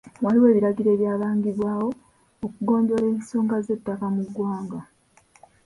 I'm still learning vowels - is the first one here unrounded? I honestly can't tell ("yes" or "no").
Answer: yes